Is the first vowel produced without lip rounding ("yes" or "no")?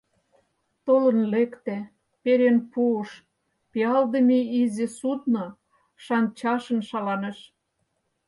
no